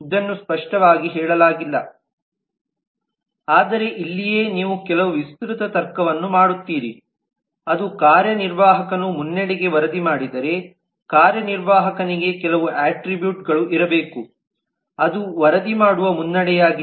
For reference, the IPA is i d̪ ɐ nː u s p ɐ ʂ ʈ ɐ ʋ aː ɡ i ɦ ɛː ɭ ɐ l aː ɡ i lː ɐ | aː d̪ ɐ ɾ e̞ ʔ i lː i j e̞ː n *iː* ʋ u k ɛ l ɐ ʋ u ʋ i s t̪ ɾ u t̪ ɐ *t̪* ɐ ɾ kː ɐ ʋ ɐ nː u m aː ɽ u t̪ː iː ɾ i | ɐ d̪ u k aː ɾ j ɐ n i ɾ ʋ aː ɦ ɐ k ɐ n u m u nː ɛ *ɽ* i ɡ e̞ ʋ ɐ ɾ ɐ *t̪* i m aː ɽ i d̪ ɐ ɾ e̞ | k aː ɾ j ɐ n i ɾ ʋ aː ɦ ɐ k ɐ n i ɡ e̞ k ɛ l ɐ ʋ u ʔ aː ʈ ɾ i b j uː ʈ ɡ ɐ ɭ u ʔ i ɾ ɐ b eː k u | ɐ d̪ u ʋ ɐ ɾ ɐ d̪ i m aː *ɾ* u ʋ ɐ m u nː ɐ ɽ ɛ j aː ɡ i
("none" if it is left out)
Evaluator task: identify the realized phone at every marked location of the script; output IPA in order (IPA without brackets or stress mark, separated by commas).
iː, t̪, ɽ, d̪, ɽ